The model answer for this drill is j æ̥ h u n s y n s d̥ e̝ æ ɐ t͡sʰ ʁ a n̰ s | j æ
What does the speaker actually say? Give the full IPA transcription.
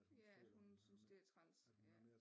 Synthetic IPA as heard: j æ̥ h u n s y n s d̥ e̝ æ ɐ t͡sʰ ʁ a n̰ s | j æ